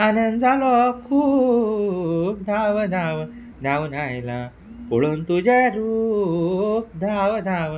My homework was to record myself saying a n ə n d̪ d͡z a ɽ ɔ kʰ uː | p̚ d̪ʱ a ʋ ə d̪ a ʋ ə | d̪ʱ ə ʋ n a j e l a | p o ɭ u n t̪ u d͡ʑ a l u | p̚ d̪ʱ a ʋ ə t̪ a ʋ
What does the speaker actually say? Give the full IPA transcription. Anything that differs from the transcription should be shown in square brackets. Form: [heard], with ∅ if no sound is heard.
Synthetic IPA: a n ə n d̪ d͡z a [l] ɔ kʰ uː | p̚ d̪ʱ a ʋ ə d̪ a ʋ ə | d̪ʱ [a] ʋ n a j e l a | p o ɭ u n t̪ u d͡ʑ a [ɾ] u | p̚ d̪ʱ a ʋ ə [d̪] a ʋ